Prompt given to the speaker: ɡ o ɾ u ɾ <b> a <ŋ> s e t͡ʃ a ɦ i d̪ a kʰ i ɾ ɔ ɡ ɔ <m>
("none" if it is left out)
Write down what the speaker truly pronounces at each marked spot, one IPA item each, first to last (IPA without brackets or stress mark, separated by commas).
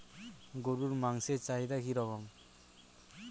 m, ŋ, m